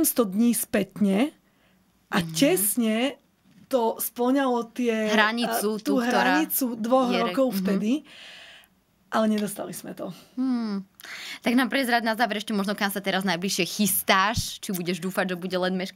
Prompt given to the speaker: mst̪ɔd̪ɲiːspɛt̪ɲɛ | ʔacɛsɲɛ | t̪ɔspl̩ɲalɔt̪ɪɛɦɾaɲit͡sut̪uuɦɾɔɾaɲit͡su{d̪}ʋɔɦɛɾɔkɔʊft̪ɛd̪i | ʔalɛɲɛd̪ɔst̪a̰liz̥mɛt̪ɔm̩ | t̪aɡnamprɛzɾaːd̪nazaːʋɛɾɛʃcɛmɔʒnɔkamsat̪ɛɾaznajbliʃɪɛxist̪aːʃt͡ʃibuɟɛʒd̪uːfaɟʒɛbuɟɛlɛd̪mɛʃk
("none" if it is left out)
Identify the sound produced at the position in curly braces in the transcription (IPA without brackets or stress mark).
d̪